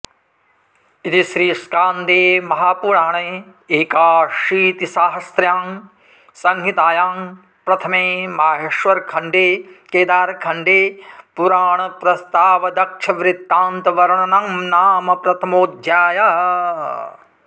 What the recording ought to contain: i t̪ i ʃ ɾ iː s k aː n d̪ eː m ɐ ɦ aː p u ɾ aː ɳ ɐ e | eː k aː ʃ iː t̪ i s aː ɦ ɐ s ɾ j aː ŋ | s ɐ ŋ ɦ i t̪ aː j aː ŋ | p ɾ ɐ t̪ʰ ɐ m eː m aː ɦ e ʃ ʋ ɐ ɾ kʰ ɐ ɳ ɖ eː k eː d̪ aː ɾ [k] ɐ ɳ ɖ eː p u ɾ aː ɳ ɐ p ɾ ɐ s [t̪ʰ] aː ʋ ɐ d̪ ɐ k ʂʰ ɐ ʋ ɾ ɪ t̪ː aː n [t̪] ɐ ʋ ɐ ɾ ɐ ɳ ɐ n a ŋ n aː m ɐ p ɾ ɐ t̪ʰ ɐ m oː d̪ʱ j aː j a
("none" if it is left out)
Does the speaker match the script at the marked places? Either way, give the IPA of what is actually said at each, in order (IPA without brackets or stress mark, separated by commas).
kʰ, t̪, t̪